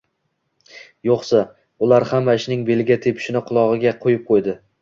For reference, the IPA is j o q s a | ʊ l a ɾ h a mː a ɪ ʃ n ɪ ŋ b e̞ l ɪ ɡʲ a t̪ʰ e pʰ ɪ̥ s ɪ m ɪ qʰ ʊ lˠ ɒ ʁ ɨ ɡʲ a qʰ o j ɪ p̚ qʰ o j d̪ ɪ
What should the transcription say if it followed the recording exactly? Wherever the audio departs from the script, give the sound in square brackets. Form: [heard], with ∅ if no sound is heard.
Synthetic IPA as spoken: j o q s a | ʊ l a ɾ h a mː a ɪ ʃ n ɪ ŋ b e̞ l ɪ ɡʲ a t̪ʰ e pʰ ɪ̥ [ʃ] ɪ [n] ɪ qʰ ʊ lˠ ɒ ʁ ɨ ɡʲ a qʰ o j ɪ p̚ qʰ o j d̪ ɪ